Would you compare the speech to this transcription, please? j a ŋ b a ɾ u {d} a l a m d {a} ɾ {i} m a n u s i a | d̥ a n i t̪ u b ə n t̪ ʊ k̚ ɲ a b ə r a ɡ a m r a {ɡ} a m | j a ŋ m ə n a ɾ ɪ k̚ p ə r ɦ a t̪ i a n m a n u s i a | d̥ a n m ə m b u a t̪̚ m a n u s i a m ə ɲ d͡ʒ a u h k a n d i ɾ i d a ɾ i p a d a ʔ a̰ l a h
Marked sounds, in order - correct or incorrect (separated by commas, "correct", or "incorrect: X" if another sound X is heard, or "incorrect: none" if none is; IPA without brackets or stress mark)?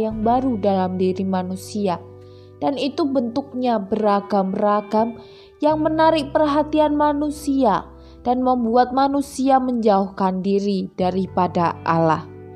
correct, incorrect: i, correct, correct